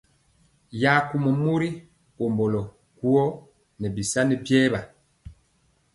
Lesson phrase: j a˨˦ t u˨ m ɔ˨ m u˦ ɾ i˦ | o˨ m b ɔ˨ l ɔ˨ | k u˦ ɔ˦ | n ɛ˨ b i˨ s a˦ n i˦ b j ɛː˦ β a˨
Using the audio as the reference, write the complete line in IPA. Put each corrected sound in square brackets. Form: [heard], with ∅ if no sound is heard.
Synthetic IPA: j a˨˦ [k] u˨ m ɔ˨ m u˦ ɾ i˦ | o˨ m b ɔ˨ l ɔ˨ | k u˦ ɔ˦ | n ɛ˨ b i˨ s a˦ n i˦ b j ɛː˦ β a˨